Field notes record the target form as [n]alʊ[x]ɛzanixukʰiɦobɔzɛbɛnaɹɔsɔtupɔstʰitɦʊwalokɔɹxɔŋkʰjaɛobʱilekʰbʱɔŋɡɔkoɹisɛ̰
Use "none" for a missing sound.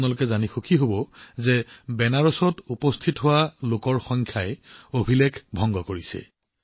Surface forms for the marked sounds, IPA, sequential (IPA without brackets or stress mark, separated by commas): n, k